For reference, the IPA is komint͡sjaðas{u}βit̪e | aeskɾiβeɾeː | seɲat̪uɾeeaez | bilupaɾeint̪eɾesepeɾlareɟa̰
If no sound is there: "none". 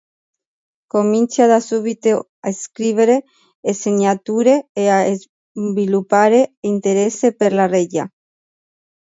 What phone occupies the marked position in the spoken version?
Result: u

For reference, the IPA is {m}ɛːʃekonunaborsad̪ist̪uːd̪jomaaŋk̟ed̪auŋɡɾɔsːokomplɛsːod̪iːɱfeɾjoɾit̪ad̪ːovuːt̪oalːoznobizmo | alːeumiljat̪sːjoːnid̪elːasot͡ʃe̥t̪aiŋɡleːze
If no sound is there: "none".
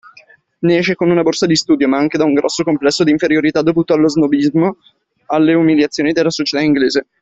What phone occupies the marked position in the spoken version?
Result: n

